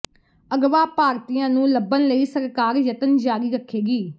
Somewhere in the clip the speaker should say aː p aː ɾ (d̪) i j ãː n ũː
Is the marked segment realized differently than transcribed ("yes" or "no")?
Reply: yes